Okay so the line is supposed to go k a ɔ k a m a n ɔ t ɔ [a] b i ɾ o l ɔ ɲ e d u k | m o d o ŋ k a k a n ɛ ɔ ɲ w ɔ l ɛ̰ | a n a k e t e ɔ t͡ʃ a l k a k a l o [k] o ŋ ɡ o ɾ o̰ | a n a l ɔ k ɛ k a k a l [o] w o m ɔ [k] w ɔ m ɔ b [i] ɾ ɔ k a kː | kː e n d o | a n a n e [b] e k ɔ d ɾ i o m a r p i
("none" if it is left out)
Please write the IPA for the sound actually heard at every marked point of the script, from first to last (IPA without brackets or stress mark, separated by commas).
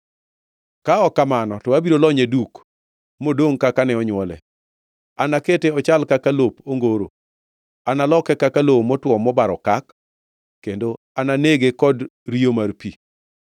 a, p, o, t, a, ɡ